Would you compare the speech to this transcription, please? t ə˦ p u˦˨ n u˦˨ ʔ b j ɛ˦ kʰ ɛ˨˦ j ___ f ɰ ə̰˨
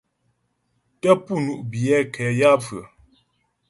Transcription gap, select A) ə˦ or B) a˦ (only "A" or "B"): B